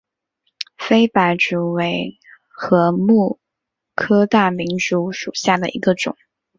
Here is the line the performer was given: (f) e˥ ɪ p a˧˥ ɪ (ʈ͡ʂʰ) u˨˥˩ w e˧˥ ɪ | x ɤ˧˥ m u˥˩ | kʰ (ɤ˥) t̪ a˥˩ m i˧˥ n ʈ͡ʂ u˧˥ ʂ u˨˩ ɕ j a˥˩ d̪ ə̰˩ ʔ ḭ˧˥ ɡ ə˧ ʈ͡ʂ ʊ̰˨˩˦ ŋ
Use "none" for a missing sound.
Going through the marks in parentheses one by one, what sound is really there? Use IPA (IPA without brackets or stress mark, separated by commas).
f, ʈ͡ʂ, ɤ˥